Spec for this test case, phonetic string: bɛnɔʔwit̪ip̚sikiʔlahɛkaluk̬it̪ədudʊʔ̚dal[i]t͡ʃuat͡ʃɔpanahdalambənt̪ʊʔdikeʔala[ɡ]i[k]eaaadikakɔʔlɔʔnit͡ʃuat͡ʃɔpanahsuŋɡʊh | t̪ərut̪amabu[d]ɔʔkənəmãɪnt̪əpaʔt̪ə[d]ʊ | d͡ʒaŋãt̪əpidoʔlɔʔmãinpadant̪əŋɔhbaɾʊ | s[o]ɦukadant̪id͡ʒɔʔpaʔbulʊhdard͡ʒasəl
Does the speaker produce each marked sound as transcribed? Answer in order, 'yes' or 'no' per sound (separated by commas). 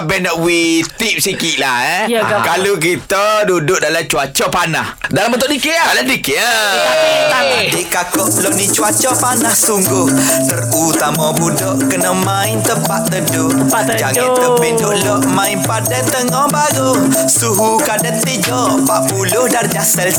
no, no, yes, yes, yes, no